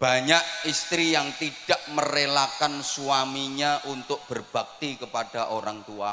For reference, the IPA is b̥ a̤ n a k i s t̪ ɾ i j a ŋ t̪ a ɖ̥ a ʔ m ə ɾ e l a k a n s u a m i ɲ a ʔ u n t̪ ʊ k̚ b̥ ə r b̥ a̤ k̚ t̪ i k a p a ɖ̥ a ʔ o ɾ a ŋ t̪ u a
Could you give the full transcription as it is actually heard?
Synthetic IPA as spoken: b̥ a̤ ɲ a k i s t̪ ɾ i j a ŋ t̪ i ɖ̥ a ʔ m ə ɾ e l a k a n s u a m i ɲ a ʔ u n t̪ ʊ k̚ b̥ ə r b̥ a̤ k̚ t̪ i k ə p a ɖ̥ a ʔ o ɾ a ŋ t̪ u a